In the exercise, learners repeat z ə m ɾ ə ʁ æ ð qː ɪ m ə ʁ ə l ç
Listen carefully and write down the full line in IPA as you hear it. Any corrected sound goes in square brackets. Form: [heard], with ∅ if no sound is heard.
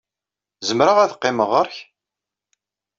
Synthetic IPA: z ə m ɾ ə ʁ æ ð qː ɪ m ə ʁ ə [ɾ] ç

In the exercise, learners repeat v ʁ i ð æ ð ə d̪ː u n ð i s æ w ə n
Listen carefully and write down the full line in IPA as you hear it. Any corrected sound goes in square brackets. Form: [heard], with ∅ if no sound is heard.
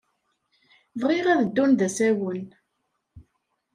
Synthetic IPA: v ʁ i [ʁ] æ ð ə d̪ː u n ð [æ] s æ w ə n

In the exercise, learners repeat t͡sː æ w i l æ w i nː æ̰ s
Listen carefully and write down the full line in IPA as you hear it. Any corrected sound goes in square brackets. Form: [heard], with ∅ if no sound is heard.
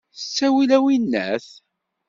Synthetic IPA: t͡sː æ w i l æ w i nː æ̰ [θ]

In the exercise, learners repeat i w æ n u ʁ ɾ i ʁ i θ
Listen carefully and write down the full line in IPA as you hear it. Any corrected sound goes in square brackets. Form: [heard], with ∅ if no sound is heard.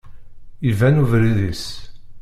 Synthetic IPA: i [v] æ n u [v] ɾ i [ð] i [s]

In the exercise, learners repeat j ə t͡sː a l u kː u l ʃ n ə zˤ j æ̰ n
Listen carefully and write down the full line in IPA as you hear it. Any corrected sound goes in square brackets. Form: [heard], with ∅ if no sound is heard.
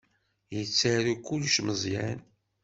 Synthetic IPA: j ə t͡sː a [ɾ] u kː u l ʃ [m] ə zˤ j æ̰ n

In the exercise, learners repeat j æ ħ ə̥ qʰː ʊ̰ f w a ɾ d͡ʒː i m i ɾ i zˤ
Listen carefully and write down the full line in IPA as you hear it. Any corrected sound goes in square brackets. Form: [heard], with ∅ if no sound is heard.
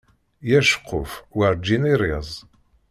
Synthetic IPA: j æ [ʃ] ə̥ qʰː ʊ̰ f w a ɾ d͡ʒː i [n] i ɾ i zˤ

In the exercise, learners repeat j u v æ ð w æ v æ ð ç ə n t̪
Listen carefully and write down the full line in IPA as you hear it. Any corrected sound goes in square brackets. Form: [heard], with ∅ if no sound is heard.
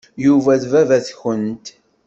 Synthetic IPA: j u v æ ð [v] æ v æ [θ] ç ə n t̪

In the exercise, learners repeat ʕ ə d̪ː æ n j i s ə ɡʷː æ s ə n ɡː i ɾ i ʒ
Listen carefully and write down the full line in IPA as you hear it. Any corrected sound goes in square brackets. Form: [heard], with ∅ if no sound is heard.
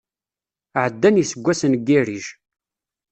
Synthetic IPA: ʕ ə d̪ː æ n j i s ə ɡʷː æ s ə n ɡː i ɾ i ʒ

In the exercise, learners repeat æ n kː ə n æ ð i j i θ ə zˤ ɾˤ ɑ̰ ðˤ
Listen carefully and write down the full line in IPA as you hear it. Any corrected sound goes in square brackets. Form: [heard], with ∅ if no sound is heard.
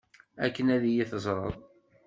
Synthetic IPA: æ [∅] kː ə n æ ð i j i θ ə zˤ ɾˤ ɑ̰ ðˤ

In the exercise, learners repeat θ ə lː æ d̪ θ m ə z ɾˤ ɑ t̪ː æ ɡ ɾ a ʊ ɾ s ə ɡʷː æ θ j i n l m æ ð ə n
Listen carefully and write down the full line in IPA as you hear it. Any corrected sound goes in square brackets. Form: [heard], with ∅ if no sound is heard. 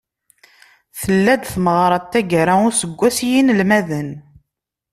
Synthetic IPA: θ ə lː æ d̪ θ m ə [ʁ] ɾˤ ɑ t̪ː æ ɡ ɾ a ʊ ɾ s ə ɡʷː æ [s] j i n l m æ ð ə n

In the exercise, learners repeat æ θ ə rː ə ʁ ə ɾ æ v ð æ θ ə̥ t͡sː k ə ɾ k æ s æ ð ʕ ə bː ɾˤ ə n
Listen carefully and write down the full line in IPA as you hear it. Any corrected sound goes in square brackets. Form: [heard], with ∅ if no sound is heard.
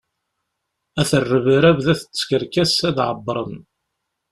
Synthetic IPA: æ θ ə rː ə [v] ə ɾ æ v ð æ θ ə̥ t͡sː k ə ɾ k æ s æ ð ʕ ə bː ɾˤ ə n

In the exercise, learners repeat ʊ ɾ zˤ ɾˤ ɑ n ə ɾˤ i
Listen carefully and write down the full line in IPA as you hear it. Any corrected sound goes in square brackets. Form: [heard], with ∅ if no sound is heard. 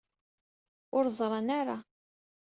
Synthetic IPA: ʊ ɾ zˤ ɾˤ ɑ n [a] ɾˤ [a]

